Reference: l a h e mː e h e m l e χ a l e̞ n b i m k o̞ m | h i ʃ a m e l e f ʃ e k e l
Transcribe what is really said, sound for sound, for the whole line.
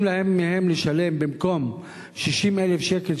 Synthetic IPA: l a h e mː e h e m l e ʃ a l e̞ m b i m k o̞ m | ʃ i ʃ i m e l e f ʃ e k e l